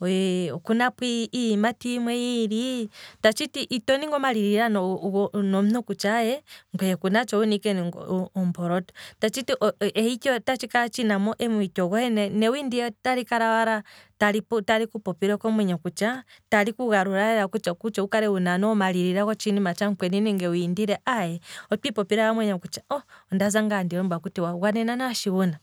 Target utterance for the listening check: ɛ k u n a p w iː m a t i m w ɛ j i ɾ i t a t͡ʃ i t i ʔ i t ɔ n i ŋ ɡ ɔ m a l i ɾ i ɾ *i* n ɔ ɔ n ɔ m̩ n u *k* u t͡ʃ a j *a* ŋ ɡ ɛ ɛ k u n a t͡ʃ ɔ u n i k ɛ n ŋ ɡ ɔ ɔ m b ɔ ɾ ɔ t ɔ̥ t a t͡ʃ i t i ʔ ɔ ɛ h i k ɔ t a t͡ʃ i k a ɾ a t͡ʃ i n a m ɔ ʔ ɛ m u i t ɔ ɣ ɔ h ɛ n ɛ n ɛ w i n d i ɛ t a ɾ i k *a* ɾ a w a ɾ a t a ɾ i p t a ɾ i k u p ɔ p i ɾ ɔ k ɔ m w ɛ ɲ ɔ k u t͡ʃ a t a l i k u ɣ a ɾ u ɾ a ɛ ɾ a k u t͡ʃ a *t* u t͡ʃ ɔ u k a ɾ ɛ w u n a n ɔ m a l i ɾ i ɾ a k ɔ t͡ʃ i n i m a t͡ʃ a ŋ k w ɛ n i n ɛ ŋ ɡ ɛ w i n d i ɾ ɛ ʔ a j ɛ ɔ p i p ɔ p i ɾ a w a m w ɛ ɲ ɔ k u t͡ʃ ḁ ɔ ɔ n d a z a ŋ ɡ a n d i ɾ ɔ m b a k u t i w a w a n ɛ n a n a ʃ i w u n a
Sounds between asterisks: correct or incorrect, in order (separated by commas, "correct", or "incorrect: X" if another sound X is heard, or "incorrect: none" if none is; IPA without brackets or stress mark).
incorrect: a, correct, incorrect: ɛ, correct, incorrect: k